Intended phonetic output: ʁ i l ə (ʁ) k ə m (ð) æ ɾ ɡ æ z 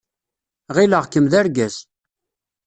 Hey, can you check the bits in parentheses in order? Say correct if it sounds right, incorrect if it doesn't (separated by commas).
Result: correct, correct